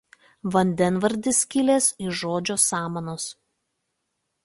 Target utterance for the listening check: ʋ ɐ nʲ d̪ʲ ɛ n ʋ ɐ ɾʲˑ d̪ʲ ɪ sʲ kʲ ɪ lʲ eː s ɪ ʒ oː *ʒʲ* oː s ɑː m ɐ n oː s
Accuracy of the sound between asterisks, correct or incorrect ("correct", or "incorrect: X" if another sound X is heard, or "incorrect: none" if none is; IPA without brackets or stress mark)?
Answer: incorrect: d͡ʒʲ